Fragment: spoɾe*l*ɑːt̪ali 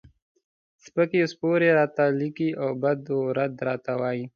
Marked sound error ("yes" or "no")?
yes